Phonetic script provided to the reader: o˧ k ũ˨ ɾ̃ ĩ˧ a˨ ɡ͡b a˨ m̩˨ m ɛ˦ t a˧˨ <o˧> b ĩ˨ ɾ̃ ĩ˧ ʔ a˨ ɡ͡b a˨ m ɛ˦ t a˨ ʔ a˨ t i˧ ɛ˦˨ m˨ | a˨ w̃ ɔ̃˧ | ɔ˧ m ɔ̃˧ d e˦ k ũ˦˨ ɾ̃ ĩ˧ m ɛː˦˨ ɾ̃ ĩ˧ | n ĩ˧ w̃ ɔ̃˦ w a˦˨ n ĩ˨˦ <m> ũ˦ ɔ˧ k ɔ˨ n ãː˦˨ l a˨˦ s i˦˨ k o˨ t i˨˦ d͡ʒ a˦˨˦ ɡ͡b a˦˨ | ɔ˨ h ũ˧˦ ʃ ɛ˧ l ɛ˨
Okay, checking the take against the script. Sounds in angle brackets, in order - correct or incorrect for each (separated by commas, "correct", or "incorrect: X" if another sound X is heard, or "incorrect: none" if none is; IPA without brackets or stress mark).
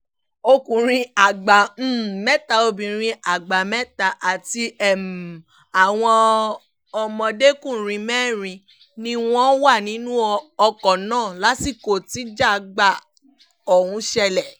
correct, incorrect: n